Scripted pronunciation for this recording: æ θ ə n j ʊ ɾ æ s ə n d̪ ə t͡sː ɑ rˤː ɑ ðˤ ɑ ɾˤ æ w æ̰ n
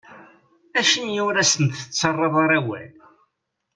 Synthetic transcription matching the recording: æ ʃ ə n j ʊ ɾ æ s ə n t̪ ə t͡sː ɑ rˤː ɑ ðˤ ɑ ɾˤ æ w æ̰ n

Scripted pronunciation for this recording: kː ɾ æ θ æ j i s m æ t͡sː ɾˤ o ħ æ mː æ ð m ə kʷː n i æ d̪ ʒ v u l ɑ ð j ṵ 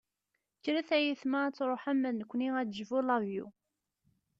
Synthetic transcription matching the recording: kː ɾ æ θ æ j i θ m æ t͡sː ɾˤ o ħ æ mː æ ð n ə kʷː n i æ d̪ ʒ v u l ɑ v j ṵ

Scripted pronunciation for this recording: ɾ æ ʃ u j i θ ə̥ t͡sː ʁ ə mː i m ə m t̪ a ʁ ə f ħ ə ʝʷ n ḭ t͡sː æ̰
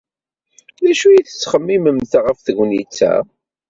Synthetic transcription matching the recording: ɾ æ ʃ u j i θ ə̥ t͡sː χ ə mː i m ə m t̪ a ʁ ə f θ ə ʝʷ n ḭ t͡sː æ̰

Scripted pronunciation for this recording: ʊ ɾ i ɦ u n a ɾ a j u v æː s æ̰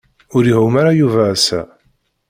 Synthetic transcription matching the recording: ʊ ɾ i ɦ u m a ɾ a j u v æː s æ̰

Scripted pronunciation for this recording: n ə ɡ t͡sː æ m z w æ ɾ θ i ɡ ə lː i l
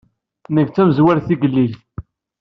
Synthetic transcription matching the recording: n ə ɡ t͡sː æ m z w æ ɾ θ i ɡ ə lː i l

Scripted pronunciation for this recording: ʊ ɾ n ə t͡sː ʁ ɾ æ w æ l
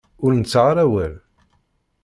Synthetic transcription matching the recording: ʊ ɾ n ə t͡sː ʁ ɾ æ w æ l

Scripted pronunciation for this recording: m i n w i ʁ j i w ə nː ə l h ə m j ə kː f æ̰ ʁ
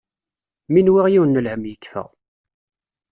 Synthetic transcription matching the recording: m i n w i ʁ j i w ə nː ə l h ə m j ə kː f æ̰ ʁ

